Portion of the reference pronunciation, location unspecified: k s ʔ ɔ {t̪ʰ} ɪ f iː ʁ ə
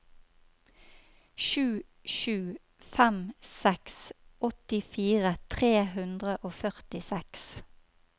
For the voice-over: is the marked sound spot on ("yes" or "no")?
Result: no